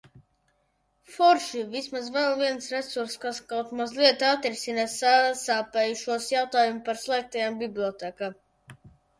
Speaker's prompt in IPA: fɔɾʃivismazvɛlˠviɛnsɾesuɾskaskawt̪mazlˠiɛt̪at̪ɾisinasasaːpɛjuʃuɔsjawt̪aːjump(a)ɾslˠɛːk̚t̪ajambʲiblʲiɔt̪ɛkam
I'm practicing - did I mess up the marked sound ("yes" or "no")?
no